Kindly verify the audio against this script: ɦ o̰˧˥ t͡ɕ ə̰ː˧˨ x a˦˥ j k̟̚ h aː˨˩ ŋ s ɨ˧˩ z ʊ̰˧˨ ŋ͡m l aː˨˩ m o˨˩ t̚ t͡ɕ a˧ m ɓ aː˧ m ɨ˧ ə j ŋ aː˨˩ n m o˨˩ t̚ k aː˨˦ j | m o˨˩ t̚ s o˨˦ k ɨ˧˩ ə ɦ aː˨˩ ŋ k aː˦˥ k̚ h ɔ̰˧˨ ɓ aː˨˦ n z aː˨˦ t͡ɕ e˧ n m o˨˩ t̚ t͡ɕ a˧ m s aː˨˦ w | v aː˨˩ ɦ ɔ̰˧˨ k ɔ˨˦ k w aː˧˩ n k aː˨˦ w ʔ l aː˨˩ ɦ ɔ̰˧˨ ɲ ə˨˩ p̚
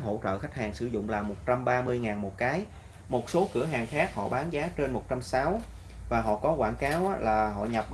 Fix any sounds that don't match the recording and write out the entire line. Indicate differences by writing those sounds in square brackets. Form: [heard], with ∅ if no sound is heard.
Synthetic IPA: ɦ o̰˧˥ t͡ɕ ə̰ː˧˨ x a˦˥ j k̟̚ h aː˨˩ ŋ s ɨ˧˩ z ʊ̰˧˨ ŋ͡m l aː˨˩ m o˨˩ t̚ t͡ɕ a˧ m ɓ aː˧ m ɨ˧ ə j ŋ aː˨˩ n m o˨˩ t̚ k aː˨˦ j | m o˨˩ t̚ s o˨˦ k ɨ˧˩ ə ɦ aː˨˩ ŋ [x] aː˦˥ k̚ h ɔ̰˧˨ ɓ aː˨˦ n z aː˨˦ t͡ɕ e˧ n m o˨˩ t̚ t͡ɕ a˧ m s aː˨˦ w | v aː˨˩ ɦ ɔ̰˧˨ k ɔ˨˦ k w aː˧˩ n k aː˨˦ w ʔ l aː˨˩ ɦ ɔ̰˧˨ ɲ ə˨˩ p̚